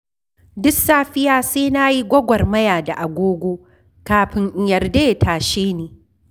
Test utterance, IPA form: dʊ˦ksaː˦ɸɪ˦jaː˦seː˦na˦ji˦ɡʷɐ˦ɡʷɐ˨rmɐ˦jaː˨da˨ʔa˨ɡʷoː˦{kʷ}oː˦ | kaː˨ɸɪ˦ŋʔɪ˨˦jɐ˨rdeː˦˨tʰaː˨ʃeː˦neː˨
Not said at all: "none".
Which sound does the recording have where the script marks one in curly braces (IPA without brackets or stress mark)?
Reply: ɡʷ